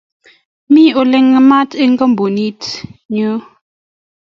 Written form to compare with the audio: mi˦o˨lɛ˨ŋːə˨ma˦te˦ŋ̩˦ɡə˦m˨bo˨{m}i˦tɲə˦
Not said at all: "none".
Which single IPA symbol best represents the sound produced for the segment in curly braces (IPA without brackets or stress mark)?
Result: n